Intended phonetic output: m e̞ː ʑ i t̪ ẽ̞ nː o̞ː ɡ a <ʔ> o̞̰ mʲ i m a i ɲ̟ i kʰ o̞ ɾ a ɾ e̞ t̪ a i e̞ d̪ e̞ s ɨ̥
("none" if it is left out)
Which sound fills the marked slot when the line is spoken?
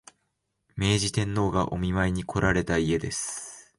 ʔ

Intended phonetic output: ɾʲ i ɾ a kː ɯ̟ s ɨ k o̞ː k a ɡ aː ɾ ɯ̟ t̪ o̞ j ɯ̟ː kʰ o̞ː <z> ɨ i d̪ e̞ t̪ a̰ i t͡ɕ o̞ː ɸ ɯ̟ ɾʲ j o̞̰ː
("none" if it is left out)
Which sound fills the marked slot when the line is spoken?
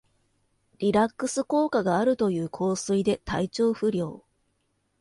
s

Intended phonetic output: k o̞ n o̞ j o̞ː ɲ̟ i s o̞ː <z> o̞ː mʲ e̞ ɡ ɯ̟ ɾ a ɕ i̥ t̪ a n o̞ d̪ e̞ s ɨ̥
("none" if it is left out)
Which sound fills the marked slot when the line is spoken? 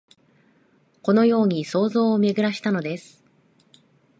z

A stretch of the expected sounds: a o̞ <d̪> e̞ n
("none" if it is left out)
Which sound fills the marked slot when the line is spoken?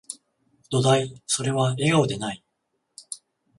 d̪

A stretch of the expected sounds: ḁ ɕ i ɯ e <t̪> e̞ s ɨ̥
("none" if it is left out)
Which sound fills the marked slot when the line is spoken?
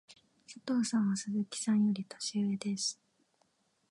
d̪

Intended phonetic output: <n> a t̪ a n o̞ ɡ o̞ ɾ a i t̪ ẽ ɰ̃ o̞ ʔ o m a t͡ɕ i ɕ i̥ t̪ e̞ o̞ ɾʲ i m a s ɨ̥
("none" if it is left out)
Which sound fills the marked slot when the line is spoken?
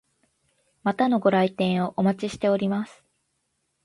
m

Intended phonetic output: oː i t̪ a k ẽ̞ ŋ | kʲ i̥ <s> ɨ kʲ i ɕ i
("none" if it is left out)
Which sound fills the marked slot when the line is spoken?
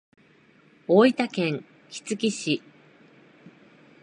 t͡s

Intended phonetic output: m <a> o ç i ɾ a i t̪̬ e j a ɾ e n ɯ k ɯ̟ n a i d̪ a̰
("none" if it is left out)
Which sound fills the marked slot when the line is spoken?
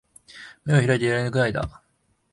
e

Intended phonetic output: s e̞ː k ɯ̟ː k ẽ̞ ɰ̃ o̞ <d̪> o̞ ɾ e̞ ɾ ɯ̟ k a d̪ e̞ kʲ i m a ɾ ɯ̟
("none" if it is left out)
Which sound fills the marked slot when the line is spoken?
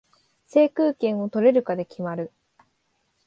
t̪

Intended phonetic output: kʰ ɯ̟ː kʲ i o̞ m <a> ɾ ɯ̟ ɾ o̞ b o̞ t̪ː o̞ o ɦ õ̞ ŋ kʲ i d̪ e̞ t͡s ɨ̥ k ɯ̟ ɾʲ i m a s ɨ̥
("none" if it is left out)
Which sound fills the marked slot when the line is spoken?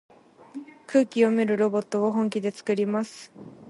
e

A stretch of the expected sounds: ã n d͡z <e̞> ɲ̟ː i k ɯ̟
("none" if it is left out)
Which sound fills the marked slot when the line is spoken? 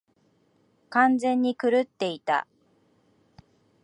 ẽ̞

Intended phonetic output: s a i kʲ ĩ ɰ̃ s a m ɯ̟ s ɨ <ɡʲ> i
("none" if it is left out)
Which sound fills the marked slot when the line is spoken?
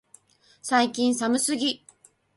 ɡʲ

